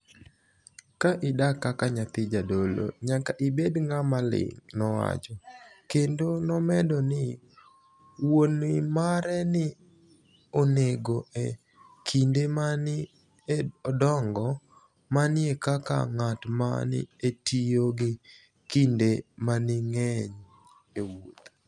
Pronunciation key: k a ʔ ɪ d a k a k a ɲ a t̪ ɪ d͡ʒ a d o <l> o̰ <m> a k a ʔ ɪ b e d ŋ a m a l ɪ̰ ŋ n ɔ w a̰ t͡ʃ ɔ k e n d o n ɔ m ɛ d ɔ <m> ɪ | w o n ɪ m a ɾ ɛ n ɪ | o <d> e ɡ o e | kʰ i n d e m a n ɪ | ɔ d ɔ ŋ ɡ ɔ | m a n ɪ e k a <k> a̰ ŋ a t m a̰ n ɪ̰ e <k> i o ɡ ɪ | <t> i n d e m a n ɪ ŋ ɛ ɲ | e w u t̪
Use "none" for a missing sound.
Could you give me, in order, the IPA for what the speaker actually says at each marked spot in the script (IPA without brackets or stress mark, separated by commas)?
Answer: l, ɲ, n, n, k, t, k